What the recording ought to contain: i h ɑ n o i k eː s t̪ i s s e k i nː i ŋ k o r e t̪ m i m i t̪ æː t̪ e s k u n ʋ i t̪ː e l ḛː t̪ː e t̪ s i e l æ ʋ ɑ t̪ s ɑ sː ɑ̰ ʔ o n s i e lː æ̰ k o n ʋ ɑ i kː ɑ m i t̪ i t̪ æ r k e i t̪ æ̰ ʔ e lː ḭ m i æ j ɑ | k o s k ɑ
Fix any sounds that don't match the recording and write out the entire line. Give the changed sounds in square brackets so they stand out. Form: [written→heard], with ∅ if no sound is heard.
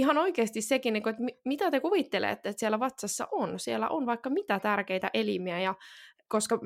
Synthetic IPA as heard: i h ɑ n o i k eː s t̪ i s s e k i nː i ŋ k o [r→∅] e t̪ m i m i t̪ [æː→æ] t̪ e [s→∅] k u [n→∅] ʋ i t̪ː e l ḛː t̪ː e t̪ s i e l æ ʋ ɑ t̪ s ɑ sː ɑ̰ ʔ o n s i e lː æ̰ [k→ʔ] o n ʋ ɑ i kː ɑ m i t̪ [i→æ] t̪ æ r k e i t̪ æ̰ ʔ e [lː→l] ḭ m i æ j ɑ | k o s k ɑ